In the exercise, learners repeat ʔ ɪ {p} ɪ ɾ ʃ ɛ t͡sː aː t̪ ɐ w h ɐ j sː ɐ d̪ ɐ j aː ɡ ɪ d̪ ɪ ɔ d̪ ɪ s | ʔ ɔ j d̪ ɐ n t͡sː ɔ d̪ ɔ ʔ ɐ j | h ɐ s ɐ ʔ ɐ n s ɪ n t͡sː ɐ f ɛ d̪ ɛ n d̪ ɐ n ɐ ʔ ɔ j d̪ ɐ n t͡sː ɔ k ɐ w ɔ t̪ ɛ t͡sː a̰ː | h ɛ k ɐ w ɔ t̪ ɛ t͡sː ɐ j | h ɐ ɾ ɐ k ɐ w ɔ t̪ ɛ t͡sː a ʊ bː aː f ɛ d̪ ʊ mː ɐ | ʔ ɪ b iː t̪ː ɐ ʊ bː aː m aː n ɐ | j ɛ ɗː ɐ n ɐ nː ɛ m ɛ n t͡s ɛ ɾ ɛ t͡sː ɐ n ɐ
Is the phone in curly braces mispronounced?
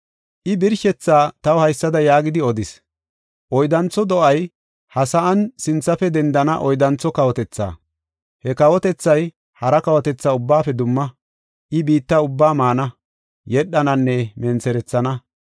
yes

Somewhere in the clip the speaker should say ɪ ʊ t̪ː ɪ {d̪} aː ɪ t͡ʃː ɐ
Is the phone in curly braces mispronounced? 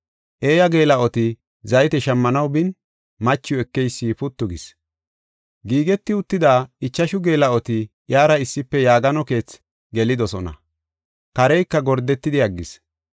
no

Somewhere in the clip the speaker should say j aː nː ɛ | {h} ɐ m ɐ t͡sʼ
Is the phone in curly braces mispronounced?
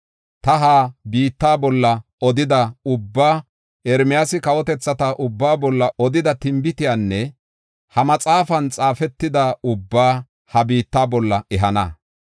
no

